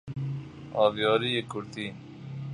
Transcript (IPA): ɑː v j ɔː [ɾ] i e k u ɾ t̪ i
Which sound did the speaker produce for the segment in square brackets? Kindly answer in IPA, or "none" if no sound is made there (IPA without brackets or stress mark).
ɾ